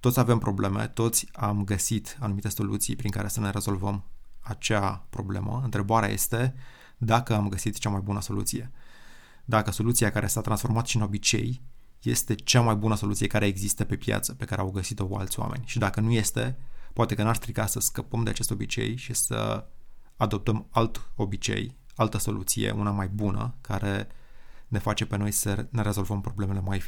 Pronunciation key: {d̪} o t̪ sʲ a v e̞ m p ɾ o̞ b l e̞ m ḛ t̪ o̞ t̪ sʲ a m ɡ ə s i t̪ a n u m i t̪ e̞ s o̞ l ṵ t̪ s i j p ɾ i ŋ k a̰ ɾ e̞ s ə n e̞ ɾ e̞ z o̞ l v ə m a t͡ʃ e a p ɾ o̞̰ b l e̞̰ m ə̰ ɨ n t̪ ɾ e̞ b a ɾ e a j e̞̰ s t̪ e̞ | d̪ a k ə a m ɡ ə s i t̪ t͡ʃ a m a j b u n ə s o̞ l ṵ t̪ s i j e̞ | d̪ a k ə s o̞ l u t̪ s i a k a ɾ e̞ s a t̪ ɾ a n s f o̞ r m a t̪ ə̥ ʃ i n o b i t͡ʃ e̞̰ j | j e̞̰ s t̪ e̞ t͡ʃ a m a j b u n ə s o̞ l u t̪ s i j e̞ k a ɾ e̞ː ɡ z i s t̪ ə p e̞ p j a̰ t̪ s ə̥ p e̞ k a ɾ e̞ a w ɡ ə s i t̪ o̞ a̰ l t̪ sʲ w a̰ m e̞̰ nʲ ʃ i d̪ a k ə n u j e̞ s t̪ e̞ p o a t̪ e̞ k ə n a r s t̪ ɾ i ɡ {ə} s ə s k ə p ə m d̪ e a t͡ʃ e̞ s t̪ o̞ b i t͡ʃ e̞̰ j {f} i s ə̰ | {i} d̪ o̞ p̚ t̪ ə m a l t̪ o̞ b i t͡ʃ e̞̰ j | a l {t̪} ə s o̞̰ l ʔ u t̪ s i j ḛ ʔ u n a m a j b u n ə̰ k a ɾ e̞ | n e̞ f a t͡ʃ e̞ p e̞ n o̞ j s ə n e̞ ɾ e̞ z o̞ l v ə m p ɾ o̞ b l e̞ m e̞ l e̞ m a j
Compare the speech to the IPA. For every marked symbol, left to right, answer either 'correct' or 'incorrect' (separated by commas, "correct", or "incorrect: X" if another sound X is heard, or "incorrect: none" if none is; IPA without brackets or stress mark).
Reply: incorrect: t̪, incorrect: a, incorrect: ʃ, incorrect: a, correct